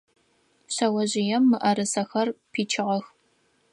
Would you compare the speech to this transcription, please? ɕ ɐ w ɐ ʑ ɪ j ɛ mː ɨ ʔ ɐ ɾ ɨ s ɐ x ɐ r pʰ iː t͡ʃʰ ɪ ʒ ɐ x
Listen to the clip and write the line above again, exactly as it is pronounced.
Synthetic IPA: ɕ ɐ w ɐ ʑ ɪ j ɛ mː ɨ ʔ ɐ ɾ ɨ s ɐ x ɐ r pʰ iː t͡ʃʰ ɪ ʁ ɐ x